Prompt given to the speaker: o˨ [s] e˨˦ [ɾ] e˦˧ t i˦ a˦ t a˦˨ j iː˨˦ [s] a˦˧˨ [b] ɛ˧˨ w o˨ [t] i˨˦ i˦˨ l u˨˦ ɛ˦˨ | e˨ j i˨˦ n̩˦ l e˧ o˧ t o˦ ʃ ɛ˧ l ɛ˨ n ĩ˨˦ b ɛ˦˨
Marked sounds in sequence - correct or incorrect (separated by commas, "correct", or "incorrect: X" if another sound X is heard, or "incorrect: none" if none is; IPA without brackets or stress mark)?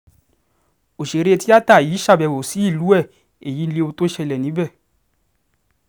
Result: incorrect: ʃ, correct, incorrect: ʃ, correct, incorrect: s